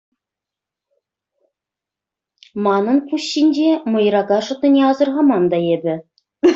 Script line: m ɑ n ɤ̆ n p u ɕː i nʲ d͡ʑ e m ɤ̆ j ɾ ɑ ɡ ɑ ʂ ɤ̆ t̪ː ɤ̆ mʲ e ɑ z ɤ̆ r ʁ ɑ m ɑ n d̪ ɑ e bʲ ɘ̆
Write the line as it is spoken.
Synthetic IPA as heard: m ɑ n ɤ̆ n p u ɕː i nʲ d͡ʑ e m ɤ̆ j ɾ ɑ ɡ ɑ ʂ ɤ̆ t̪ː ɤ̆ nʲ e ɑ z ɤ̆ r ʁ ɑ m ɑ n d̪ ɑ e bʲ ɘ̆